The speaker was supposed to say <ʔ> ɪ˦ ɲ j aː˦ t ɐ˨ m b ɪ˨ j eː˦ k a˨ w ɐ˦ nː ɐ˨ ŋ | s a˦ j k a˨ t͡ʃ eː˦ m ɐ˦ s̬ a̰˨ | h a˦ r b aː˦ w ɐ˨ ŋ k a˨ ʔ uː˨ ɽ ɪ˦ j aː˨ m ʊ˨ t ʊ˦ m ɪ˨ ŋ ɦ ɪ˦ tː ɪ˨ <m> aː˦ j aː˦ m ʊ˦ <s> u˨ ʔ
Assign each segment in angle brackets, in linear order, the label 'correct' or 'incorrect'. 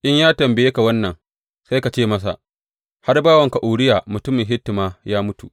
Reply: correct, correct, incorrect

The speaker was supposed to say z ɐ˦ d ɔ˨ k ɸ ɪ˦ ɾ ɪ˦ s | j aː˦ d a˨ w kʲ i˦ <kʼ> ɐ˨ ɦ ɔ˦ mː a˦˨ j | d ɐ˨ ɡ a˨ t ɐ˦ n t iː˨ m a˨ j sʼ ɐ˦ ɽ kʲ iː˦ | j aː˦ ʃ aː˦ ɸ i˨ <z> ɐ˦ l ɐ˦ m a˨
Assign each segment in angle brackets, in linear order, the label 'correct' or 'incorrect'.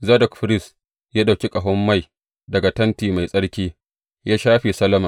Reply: correct, incorrect

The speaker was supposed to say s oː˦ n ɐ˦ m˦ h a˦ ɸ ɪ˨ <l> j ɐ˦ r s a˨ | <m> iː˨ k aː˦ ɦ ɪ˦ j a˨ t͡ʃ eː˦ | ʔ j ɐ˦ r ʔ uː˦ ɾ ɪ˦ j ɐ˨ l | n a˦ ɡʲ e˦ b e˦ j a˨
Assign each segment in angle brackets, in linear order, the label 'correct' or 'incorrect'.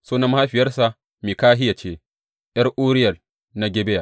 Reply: incorrect, correct

